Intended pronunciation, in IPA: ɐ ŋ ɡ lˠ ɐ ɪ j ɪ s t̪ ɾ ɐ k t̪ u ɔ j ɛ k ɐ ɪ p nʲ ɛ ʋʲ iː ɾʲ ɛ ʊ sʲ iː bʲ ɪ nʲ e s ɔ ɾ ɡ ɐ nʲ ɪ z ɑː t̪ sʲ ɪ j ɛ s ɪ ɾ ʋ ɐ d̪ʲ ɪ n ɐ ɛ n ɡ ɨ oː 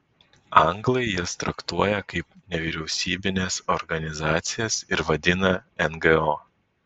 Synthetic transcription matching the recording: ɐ ŋ ɡ lˠ ɐ ɪ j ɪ s t̪ ɾ ɐ k t̪ u ɔ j ɛ k ɐ ɪ p nʲ ɛ ʋʲ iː ɾʲ ɛ ʊ sʲ iː bʲ ɪ nʲ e s ɔ ɾ ɡ ɐ nʲ ɪ z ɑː t̪ sʲ ɪ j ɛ s ɪ ɾ ʋ ɐ d̪ʲ ɪ n ɐ ɛ n ɡ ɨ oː